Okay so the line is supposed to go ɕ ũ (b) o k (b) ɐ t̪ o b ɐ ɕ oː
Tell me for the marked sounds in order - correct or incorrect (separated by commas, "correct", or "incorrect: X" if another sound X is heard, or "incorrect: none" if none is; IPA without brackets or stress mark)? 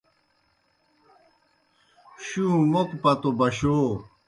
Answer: incorrect: m, incorrect: p